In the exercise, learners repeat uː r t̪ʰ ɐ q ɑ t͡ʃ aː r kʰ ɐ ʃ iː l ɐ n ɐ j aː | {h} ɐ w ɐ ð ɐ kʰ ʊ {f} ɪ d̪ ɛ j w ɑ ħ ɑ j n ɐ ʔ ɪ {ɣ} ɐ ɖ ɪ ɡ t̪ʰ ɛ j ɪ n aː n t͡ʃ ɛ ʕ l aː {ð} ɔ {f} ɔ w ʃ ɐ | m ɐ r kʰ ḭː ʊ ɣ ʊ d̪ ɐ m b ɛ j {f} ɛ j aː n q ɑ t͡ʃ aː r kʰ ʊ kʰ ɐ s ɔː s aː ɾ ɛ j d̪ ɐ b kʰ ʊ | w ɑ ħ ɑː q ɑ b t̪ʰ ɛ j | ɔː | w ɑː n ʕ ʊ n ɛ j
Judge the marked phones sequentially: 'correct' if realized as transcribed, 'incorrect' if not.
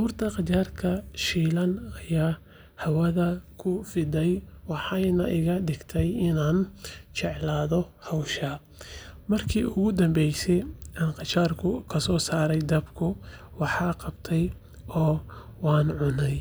correct, correct, correct, correct, incorrect: h, incorrect: s

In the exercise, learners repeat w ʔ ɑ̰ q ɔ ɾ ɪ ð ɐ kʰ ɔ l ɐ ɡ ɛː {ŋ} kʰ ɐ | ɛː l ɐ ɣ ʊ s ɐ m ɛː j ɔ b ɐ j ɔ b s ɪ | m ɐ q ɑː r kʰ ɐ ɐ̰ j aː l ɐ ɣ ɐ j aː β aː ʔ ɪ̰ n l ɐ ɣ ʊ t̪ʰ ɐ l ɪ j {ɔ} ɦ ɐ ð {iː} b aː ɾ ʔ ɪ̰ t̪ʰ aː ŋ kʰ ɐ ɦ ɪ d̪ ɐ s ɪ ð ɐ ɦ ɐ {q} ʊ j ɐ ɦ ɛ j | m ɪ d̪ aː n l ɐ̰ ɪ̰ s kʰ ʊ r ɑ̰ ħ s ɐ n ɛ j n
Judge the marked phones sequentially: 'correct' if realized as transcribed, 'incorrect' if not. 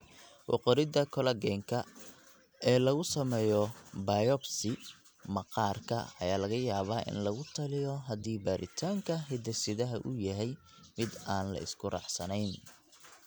correct, correct, correct, incorrect: ʔ

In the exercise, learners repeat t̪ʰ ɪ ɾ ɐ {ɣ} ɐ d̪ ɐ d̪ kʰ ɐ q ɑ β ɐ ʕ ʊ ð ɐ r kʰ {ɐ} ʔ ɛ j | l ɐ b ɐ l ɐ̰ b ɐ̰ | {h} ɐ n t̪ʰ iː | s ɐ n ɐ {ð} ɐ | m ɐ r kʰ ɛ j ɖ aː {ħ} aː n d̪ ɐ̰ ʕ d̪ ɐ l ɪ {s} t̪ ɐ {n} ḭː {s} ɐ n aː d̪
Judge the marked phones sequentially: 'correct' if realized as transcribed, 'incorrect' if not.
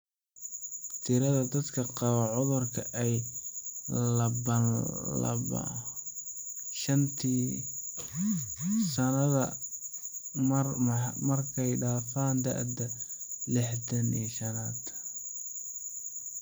incorrect: ð, correct, incorrect: ʃ, correct, incorrect: f, incorrect: ħ, correct, incorrect: ʃ

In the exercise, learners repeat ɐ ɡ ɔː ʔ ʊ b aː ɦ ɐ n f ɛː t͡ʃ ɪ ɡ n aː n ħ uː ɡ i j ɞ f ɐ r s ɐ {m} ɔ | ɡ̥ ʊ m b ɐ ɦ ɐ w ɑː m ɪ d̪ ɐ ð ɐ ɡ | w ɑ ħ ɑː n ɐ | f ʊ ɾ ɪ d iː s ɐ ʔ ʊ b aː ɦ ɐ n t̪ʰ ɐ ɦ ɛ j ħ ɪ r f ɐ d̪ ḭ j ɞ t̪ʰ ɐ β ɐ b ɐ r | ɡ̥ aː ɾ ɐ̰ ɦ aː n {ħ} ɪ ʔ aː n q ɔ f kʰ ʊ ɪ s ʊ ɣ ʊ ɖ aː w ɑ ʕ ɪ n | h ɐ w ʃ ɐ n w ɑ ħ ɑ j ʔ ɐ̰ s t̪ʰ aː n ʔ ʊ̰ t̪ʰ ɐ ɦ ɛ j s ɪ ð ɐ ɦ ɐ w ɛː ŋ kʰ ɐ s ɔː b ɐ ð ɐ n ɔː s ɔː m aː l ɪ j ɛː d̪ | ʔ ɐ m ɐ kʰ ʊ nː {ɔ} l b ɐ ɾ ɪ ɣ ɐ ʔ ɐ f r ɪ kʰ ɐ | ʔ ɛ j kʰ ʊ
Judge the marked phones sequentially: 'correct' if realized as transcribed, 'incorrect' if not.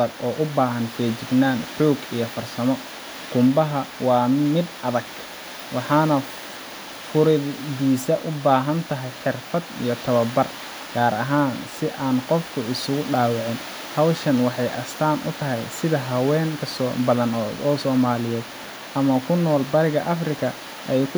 correct, incorrect: s, incorrect: ɔː

